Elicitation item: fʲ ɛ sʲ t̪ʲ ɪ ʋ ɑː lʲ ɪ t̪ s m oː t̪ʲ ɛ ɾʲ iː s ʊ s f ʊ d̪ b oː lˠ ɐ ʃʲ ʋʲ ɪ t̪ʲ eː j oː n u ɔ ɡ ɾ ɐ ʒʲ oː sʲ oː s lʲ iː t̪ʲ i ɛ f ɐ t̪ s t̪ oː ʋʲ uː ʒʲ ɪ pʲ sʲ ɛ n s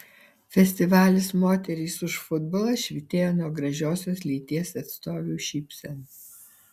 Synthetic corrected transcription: fʲ ɛ sʲ t̪ʲ ɪ ʋ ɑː lʲ ɪ s m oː t̪ʲ ɛ ɾʲ iː s ʊ ʃ f ʊ d̪ b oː lˠ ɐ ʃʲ ʋʲ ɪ t̪ʲ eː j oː n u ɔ ɡ ɾ ɐ ʒʲ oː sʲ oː s lʲ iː t̪ʲ i ɛ s ɐ t̪ s t̪ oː ʋʲ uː ʃʲ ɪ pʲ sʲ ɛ n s